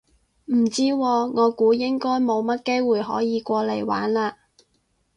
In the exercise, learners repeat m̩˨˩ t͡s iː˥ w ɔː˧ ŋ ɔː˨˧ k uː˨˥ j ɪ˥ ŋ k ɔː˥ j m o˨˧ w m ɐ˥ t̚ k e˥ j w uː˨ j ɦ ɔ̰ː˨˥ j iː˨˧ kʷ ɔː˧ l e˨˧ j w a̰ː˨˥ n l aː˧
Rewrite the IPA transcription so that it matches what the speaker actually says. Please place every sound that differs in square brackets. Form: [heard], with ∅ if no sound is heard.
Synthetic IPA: m̩˨˩ t͡s iː˥ w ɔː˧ ŋ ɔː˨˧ k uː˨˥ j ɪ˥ ŋ k ɔː˥ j m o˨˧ w m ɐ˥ t̚ k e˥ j w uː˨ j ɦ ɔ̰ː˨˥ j iː˨˧ kʷ ɔː˧ l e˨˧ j w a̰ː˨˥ n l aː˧